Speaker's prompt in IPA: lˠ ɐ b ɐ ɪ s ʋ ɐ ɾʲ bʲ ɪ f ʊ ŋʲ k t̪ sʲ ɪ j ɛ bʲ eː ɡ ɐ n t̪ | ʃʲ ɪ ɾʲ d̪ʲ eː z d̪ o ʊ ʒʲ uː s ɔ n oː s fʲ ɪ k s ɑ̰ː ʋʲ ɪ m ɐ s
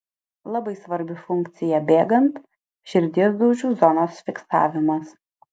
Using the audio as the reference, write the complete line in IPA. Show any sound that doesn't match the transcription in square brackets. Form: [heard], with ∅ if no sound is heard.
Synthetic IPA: lˠ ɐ b ɐ ɪ s ʋ ɐ ɾʲ bʲ ɪ f ʊ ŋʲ k t̪ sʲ ɪ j ɛ bʲ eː ɡ ɐ n t̪ | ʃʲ ɪ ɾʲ d̪ʲ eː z d̪ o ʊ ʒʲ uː [z] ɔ n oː s fʲ ɪ k s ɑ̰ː ʋʲ ɪ m ɐ s